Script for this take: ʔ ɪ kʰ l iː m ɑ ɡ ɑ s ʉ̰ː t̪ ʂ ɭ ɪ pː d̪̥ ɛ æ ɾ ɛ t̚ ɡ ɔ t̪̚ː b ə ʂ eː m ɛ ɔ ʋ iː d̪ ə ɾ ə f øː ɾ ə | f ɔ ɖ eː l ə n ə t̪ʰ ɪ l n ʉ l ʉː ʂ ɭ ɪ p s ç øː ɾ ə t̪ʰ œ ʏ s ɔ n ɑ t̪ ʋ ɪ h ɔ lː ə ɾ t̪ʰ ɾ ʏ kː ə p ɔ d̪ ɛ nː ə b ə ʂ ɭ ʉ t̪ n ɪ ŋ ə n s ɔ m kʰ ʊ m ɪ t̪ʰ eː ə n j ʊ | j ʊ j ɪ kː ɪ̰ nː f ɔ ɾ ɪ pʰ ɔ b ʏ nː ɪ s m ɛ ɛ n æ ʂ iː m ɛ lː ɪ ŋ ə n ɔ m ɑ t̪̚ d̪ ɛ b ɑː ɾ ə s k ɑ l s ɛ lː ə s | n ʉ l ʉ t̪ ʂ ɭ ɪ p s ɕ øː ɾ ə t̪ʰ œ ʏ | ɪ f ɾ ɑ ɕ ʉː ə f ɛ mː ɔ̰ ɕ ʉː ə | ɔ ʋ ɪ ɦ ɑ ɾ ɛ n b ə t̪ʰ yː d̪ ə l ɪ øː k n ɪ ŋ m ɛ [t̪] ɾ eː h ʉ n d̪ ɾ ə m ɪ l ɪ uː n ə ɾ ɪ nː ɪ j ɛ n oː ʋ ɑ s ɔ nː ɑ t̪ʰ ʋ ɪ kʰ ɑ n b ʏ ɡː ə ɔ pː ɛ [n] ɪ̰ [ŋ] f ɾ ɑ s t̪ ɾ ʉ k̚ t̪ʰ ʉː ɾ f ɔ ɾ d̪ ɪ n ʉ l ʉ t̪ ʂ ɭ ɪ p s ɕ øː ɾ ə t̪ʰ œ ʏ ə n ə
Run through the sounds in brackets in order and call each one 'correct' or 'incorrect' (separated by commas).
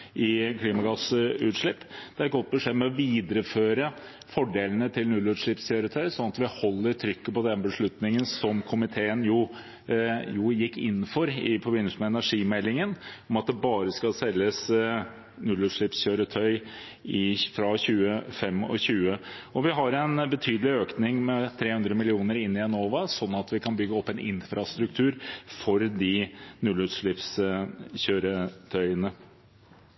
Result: incorrect, correct, incorrect